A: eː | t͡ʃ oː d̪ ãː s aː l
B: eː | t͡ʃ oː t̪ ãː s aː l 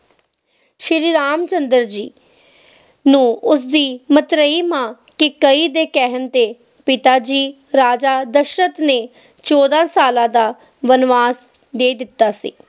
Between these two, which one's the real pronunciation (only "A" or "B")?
A